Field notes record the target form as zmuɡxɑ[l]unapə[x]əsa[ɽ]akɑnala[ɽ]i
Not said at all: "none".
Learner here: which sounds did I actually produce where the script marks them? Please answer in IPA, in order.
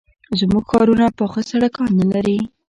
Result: ɾ, x, ɽ, ɾ

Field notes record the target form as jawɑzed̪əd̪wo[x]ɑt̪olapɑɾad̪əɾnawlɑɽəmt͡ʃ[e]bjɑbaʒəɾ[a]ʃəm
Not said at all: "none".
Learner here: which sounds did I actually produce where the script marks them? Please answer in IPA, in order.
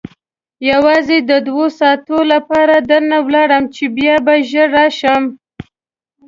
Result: s, e, ɑ

